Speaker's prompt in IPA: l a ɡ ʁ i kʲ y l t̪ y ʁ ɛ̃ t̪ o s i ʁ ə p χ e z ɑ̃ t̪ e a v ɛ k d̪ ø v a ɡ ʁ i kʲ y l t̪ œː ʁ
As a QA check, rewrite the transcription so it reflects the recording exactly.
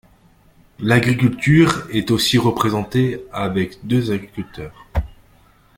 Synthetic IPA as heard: l a ɡ ʁ i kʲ y l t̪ y ʁ ɛ t̪ o s i ʁ ə p χ e z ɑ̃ t̪ e a v ɛ k d̪ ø z a ɡ ʁ i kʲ y l t̪ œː ʁ